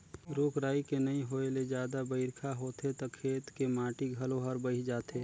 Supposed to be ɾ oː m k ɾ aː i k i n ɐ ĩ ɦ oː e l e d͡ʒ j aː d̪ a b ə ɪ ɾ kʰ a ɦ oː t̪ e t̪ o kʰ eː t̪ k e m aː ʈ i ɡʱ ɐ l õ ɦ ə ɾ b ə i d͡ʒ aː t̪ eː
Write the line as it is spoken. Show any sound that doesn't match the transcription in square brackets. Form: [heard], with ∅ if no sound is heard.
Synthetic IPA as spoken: ɾ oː [∅] k ɾ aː i k [e] n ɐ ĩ ɦ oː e l e d͡ʒ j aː d̪ a b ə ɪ ɾ kʰ a ɦ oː t̪ e t̪ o kʰ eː t̪ k e m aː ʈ i ɡʱ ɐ l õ ɦ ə ɾ b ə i d͡ʒ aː t̪ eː